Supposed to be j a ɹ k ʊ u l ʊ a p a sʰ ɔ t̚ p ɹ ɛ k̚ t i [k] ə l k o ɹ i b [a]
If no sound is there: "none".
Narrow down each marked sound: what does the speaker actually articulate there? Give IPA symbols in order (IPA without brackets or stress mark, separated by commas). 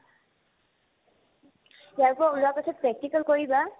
k, a